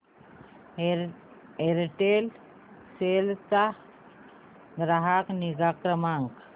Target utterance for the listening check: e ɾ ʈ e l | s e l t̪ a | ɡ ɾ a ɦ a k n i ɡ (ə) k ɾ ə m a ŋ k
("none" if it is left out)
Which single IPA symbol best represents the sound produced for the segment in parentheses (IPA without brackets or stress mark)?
a